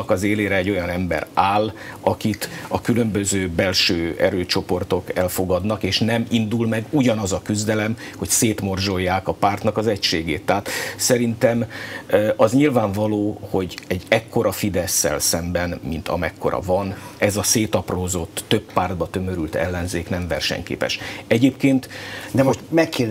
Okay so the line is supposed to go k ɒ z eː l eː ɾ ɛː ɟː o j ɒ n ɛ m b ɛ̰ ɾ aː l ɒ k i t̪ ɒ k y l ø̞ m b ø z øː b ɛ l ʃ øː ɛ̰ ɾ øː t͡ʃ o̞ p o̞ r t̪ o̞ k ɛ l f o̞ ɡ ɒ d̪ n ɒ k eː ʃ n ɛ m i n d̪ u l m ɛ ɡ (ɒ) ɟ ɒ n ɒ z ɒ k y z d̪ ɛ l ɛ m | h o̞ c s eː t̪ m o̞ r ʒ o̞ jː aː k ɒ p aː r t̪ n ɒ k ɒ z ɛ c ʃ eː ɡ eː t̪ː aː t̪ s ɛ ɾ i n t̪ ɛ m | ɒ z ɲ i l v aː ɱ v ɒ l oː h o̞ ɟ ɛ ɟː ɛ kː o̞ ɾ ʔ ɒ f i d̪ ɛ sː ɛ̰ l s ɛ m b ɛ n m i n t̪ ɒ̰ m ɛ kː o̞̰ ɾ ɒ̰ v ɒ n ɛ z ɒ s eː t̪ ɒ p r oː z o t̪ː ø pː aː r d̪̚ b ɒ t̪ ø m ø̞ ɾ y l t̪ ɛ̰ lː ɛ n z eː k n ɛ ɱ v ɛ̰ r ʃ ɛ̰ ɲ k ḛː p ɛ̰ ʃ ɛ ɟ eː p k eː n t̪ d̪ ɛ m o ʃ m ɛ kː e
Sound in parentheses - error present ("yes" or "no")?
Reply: yes